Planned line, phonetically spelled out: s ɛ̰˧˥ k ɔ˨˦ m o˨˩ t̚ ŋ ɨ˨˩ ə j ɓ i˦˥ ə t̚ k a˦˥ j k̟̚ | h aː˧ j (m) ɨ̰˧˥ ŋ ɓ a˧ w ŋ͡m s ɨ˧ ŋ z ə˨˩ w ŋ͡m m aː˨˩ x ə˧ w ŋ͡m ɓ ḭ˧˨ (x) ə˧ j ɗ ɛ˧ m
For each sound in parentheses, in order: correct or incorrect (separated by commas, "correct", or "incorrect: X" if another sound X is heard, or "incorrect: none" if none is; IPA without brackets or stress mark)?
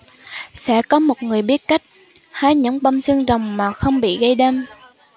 incorrect: ɲ, incorrect: ɣ